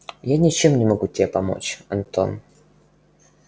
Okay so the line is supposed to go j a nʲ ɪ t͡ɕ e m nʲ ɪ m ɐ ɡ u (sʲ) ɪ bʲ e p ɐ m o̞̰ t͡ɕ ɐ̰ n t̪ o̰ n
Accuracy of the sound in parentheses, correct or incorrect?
incorrect